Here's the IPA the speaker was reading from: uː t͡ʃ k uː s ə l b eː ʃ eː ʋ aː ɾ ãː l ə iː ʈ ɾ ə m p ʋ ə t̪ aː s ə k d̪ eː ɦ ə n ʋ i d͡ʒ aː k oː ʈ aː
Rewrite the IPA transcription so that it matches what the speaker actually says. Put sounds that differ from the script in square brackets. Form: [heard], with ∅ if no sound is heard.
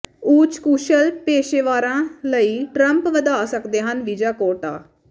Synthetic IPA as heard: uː t͡ʃ k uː [ʃ] ə l [p] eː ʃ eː ʋ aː ɾ ãː l ə iː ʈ ɾ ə m p ʋ ə [d̪] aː s ə k d̪ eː ɦ ə n ʋ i d͡ʒ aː k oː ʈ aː